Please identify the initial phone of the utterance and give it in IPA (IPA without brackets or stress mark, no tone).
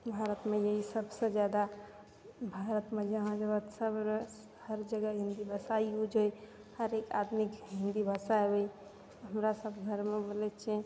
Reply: bʱ